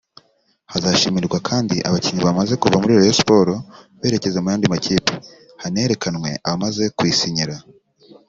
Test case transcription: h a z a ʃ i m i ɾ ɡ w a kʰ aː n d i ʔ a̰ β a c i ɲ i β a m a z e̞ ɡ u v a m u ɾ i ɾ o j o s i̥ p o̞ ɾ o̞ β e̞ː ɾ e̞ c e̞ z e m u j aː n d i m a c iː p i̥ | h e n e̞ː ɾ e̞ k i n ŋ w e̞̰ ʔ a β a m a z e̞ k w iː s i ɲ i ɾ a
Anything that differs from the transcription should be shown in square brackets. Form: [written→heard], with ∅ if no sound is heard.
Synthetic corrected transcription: h a z a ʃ i m i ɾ ɡ w a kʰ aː n d i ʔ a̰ β a c i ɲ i β a m a z e̞ [ɡ→k] u v a m u ɾ i ɾ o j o s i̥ p o̞ ɾ o̞ β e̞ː ɾ e̞ c e̞ z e m u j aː n d i m a c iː p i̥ | h [e→a] n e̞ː ɾ e̞ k [i→a] n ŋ w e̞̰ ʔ a β a m a z e̞ k w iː s i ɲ i ɾ a